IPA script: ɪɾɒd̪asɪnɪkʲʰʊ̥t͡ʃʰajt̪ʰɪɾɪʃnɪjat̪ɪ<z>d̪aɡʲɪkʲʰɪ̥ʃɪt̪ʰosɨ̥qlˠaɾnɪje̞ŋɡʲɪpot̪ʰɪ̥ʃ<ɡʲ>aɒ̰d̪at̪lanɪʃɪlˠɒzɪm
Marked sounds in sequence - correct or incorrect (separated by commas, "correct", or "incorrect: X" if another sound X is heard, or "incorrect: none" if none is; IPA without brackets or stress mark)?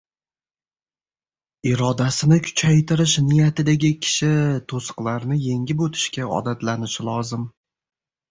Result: incorrect: none, incorrect: kʲ